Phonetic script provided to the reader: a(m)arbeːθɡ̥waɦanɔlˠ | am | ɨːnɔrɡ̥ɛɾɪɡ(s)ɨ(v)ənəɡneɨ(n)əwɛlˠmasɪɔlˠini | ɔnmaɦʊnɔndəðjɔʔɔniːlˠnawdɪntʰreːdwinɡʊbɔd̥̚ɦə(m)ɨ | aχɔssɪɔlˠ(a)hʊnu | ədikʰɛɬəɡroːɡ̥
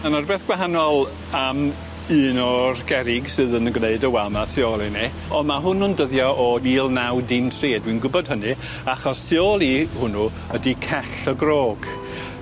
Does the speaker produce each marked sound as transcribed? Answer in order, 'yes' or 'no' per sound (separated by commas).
no, yes, no, no, no, no